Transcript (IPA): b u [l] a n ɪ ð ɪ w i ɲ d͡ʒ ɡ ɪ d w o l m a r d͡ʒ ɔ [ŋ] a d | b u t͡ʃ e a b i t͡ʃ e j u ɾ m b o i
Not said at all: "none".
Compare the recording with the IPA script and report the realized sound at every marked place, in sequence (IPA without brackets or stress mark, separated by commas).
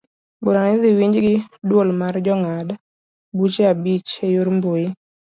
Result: ɾ, ŋ